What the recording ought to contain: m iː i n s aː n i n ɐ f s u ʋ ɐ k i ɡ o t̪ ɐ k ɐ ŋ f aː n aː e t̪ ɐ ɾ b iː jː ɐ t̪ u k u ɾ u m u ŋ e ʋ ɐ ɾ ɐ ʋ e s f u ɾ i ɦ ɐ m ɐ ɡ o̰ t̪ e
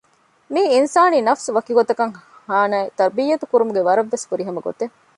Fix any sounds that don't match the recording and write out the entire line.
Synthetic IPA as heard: m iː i n s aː n iː n ɐ f s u ʋ ɐ k i ɡ o t̪ ɐ k ɐ ŋ h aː n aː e t̪ ɐ ɾ b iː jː ɐ t̪ u k u ɾ u m u ɡ e ʋ ɐ ɾ ɐ ʋː e s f u ɾ i ɦ ɐ m ɐ ɡ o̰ t̪ e